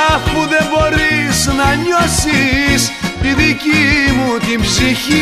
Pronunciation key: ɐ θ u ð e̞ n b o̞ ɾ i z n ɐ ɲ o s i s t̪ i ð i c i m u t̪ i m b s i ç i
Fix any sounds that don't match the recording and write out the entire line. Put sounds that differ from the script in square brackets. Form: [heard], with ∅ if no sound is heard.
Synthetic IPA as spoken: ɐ [f] u ð e̞ [m] b o̞ ɾ i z n ɐ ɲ o s i s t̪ i ð i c i m u t̪ i m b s i ç i